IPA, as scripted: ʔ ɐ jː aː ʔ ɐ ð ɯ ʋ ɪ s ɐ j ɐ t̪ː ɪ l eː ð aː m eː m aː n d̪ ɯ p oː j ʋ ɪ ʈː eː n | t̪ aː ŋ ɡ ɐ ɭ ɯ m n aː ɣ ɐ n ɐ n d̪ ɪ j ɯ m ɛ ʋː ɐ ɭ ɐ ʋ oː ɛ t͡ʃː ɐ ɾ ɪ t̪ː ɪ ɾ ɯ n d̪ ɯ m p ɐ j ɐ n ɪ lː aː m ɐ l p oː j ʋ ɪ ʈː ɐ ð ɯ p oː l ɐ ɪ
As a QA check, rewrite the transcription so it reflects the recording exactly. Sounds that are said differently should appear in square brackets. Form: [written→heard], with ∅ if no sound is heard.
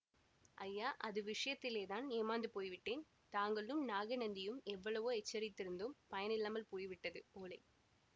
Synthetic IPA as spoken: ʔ ɐ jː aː ʔ ɐ ð ɯ ʋ ɪ [s→ʂ] ɐ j ɐ t̪ː ɪ l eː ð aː [m→n] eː m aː n d̪ ɯ p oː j ʋ ɪ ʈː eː n | t̪ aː ŋ ɡ ɐ ɭ ɯ m n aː ɣ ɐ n ɐ n d̪ ɪ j ɯ m ɛ ʋː ɐ ɭ ɐ ʋ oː ɛ t͡ʃː ɐ ɾ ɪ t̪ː ɪ ɾ ɯ n d̪ ɯ m p ɐ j ɐ n ɪ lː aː m ɐ l p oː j ʋ ɪ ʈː ɐ ð ɯ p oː l ɐ ɪ

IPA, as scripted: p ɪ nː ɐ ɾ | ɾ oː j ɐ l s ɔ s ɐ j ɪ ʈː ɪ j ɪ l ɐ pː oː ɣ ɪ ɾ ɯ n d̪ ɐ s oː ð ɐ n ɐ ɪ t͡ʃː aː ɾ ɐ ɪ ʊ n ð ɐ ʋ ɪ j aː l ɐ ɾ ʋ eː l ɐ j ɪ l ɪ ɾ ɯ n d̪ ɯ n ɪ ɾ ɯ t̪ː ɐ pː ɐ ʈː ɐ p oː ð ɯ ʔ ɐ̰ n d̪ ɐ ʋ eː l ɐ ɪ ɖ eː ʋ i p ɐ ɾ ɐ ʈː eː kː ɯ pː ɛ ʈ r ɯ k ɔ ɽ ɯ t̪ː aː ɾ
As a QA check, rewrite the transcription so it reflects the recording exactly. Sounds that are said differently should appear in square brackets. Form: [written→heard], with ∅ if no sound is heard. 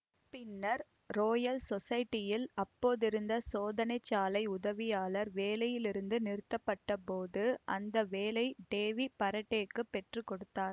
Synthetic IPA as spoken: p ɪ nː ɐ ɾ | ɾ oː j ɐ l s ɔ s ɐ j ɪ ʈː ɪ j ɪ l ɐ pː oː [ɣ→ð] ɪ ɾ ɯ n d̪ ɐ s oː ð ɐ n ɐ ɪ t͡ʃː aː [ɾ→l] ɐ ɪ ʊ [n→∅] ð ɐ ʋ ɪ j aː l ɐ ɾ ʋ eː l ɐ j ɪ l ɪ ɾ ɯ n d̪ ɯ n ɪ ɾ ɯ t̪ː ɐ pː ɐ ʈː ɐ p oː ð ɯ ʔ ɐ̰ n d̪ ɐ ʋ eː l ɐ ɪ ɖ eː ʋ i p ɐ ɾ ɐ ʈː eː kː ɯ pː ɛ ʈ r ɯ k ɔ ɽ ɯ t̪ː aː ɾ

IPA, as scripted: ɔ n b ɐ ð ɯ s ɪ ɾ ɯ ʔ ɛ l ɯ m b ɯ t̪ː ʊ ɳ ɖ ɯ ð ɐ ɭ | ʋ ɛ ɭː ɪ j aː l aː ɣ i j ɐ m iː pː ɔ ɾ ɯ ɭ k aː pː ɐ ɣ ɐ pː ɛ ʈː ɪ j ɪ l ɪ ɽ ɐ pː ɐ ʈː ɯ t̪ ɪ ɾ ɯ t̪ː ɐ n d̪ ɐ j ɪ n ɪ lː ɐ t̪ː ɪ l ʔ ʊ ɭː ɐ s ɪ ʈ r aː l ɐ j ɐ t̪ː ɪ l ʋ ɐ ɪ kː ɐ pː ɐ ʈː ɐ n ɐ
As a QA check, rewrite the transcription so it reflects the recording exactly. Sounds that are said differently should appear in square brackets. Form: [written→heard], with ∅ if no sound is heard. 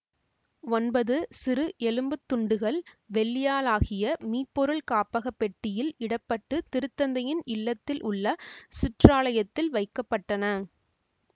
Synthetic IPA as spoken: ɔ n b ɐ ð ɯ s ɪ ɾ ɯ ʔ ɛ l ɯ m b ɯ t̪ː ʊ ɳ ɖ ɯ [ð→ɣ] ɐ ɭ | ʋ ɛ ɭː ɪ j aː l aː ɣ [i→ɪ] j ɐ m iː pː ɔ ɾ ɯ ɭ k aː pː ɐ ɣ ɐ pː ɛ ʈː ɪ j ɪ l ɪ ɽ ɐ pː ɐ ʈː ɯ t̪ ɪ ɾ ɯ t̪ː ɐ n d̪ ɐ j ɪ n ɪ lː ɐ t̪ː ɪ l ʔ ʊ ɭː ɐ s ɪ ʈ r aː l ɐ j ɐ t̪ː ɪ l ʋ ɐ ɪ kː ɐ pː ɐ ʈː ɐ n ɐ

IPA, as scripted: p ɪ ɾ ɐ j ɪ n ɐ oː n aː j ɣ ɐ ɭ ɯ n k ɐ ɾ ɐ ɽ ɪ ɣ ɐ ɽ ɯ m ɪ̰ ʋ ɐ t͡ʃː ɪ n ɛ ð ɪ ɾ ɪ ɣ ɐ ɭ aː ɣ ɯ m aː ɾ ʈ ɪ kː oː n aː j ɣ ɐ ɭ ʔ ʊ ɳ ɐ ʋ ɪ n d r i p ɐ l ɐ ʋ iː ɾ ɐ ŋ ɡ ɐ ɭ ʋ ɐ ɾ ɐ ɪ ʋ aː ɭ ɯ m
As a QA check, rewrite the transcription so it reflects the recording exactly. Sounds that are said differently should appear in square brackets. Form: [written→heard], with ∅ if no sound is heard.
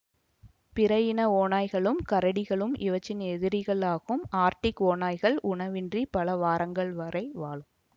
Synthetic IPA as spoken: p ɪ ɾ ɐ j ɪ n ɐ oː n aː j ɣ ɐ ɭ ɯ [n→m] k ɐ ɾ ɐ ɽ ɪ ɣ ɐ [ɽ→ɭ] ɯ m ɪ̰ ʋ ɐ t͡ʃː ɪ n ɛ ð ɪ ɾ ɪ ɣ ɐ ɭ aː ɣ ɯ m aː ɾ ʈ ɪ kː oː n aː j ɣ ɐ ɭ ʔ ʊ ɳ ɐ ʋ ɪ n d r i p ɐ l ɐ ʋ [iː→aː] ɾ ɐ ŋ ɡ ɐ ɭ ʋ ɐ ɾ ɐ ɪ ʋ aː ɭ ɯ m

